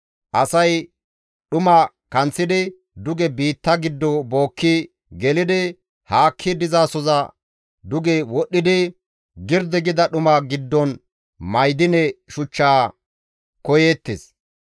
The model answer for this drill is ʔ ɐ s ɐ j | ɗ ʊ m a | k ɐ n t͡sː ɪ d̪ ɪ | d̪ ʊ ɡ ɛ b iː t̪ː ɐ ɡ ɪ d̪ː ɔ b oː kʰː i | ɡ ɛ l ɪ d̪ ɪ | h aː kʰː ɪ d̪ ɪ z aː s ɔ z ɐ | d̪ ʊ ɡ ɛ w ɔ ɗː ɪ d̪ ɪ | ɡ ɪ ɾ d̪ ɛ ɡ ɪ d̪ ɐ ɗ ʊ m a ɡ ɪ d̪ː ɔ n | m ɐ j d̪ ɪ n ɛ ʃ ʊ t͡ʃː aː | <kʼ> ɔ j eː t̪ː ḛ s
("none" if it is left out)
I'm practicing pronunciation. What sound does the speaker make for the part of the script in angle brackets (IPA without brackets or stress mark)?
k